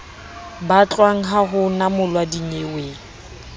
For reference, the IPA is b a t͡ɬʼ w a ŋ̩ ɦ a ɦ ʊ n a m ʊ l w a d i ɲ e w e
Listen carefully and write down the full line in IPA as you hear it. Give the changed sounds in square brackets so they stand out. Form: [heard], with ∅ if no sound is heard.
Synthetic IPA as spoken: b a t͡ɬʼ w a ŋ̩ ɦ a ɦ ʊ n a m ʊ l w a d i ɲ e w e